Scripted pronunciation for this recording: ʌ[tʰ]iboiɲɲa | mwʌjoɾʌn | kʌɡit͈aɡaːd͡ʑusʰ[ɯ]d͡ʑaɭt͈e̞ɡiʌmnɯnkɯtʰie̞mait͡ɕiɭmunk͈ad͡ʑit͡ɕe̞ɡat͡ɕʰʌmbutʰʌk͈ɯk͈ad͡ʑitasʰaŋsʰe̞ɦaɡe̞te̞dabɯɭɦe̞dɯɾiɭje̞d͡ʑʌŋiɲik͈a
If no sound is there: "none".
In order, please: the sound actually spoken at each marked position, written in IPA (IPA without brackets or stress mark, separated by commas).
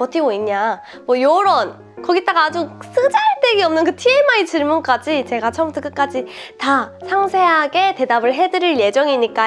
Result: tʰ, ɯ